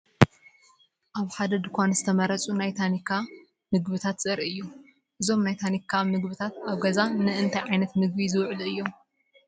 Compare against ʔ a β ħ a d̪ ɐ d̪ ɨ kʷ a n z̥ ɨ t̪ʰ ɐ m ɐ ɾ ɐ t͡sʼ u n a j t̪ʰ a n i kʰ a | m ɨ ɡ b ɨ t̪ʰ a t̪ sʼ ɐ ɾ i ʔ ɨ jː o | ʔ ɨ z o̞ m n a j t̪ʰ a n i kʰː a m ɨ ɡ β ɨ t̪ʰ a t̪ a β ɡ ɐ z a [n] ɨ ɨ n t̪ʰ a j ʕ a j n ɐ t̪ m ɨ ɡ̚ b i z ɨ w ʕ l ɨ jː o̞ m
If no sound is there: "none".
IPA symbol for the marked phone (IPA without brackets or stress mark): n